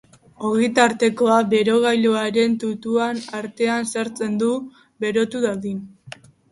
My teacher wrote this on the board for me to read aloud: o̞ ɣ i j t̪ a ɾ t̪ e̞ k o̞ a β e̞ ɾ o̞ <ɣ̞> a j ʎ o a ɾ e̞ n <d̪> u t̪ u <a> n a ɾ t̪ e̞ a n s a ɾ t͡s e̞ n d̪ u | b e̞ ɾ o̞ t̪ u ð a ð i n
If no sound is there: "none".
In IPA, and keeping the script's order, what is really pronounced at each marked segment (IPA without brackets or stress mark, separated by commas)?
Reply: ɣ̞, t̪, a